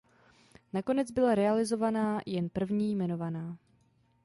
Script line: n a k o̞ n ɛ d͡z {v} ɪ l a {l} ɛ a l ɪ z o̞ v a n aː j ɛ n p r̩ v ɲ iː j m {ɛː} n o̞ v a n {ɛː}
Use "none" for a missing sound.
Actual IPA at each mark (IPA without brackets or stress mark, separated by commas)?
b, ɾ, ɛ, aː